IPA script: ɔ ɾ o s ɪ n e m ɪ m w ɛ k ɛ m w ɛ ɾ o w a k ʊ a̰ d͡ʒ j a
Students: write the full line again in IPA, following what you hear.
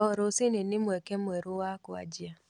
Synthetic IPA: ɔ ɾ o s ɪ n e n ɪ m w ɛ k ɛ m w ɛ ɾ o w a k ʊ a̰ d͡ʒ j a